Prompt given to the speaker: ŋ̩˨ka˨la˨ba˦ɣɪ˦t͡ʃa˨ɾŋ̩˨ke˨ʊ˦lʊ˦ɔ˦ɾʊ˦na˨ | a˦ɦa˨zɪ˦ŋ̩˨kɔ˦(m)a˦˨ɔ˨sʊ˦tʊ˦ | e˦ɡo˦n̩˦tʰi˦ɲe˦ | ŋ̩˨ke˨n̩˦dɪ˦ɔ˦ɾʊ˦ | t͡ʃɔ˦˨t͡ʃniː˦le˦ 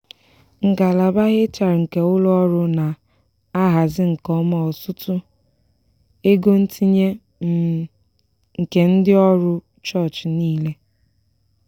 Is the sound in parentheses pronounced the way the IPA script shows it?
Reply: yes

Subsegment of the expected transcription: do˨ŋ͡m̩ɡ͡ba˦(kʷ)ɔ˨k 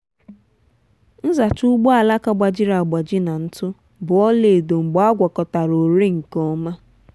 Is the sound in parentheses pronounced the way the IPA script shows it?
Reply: no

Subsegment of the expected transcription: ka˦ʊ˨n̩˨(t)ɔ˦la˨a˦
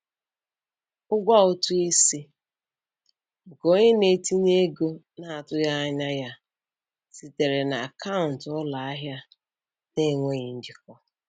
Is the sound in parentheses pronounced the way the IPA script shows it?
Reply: yes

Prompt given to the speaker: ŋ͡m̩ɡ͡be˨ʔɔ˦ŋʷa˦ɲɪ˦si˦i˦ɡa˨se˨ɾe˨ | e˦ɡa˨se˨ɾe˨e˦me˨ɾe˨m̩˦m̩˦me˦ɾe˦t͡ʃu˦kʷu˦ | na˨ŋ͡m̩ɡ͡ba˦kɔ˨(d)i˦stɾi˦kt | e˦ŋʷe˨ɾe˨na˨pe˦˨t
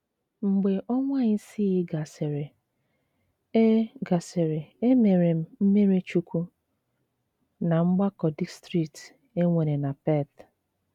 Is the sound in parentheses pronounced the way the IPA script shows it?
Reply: yes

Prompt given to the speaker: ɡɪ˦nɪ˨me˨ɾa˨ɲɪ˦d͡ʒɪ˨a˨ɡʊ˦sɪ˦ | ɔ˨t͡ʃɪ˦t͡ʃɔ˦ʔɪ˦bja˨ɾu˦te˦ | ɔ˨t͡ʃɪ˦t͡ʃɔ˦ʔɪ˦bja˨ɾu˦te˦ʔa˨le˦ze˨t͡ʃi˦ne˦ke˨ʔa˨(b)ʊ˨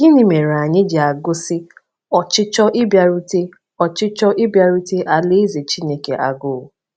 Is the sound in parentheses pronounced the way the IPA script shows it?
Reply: no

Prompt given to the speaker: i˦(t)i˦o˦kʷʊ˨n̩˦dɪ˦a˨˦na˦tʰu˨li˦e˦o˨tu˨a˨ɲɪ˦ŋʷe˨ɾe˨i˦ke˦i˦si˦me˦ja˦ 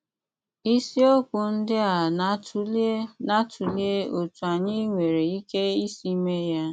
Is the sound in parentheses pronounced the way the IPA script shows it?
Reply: no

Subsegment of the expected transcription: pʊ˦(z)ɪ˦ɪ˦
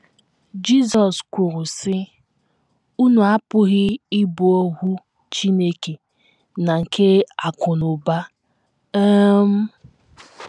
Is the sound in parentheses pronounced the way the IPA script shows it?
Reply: no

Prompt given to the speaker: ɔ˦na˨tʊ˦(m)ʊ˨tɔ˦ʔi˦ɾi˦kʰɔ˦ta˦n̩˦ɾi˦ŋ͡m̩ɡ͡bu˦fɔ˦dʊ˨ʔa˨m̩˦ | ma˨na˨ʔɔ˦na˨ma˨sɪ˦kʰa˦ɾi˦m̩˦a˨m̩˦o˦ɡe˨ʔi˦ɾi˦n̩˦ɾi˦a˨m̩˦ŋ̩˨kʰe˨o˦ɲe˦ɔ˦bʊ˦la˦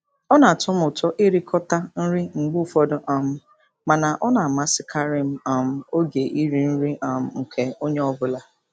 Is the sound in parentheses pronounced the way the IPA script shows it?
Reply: yes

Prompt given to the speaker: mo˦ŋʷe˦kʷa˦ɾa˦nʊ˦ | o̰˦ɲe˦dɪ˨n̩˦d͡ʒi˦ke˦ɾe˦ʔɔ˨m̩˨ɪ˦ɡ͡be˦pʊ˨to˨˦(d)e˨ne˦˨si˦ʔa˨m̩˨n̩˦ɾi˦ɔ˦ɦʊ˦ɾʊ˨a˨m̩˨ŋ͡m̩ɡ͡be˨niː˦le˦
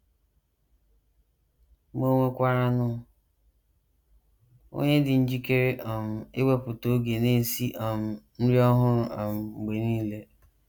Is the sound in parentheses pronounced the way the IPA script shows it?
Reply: no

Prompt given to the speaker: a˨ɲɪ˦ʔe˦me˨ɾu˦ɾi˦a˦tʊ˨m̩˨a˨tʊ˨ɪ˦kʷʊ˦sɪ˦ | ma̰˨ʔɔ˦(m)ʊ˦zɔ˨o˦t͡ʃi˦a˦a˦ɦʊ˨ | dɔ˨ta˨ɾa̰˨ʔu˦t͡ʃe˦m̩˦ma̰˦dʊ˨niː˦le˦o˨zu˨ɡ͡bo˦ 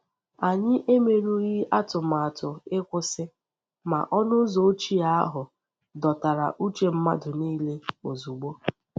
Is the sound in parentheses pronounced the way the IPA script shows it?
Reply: no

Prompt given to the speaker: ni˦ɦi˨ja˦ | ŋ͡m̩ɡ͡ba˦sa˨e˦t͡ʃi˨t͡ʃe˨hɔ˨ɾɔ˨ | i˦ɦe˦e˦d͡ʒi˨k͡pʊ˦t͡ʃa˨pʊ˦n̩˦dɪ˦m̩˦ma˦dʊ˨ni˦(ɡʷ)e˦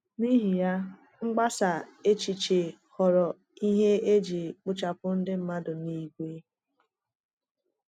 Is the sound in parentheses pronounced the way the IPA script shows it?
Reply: yes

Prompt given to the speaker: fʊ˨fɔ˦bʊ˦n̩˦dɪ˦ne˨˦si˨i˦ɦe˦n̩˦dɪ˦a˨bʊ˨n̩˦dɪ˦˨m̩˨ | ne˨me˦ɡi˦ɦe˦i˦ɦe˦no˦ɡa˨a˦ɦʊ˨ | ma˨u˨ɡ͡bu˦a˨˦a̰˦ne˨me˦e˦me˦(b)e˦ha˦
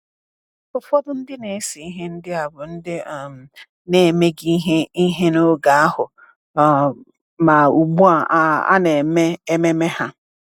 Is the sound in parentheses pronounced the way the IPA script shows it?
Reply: no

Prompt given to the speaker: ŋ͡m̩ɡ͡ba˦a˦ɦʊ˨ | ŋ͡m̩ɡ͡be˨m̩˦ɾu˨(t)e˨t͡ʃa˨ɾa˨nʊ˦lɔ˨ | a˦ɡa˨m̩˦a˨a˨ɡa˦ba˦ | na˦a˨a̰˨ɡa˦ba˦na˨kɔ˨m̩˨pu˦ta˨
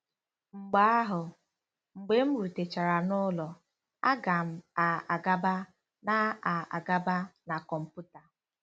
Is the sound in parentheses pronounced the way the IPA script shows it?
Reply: yes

